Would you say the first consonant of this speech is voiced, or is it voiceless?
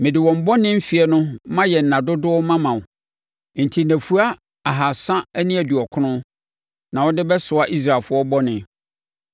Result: voiced